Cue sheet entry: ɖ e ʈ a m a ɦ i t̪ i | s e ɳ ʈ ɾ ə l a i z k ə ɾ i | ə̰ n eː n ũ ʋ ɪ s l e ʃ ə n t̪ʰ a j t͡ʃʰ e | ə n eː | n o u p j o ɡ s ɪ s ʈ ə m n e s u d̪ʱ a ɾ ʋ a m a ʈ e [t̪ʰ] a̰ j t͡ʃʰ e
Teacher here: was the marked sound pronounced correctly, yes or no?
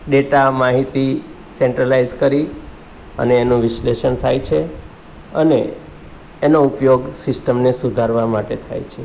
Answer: yes